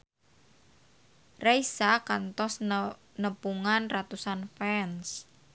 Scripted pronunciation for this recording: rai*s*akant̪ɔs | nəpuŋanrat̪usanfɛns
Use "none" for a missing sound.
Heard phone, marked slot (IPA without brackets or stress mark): s